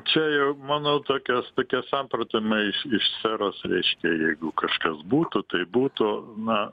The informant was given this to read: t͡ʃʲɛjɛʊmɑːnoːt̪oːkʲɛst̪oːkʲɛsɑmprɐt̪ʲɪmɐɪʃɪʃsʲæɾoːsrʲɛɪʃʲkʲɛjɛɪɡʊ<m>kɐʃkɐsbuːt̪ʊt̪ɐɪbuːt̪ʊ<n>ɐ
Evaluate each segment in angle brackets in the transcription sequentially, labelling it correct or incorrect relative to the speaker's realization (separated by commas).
incorrect, correct